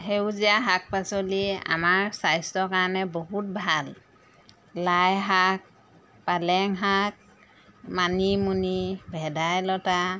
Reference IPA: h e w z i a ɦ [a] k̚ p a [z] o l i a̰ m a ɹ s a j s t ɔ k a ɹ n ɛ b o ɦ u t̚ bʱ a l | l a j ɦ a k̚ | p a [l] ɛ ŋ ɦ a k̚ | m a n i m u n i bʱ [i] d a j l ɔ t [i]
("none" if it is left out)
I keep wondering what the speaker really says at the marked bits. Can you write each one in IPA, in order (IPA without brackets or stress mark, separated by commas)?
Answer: a, s, l, ɛ, a